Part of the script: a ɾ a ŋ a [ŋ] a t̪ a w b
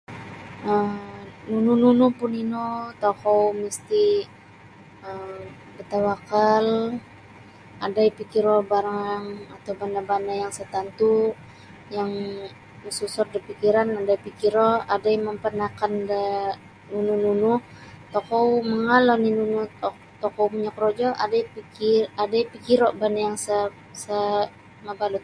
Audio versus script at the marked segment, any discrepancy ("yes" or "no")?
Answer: no